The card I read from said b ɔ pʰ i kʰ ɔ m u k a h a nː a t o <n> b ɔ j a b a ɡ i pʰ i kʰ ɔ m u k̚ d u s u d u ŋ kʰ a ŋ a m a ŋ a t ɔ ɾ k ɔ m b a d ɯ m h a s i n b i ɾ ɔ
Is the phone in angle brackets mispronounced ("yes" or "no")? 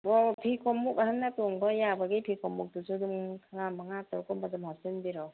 yes